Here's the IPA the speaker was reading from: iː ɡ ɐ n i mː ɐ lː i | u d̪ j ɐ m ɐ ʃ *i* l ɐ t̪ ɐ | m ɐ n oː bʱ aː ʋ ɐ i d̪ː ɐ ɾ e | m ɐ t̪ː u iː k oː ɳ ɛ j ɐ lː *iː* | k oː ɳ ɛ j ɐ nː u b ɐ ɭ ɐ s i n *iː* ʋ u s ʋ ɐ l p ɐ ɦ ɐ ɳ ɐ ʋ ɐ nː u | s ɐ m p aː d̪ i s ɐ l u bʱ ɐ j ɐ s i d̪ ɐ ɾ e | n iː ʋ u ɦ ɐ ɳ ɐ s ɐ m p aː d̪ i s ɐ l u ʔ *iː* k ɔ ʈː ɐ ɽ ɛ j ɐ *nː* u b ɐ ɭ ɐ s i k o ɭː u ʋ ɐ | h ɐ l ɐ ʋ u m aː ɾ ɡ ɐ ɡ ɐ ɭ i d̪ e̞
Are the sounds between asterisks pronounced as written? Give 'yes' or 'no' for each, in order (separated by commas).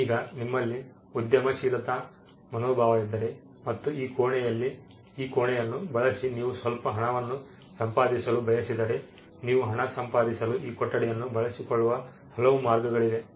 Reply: no, yes, yes, yes, yes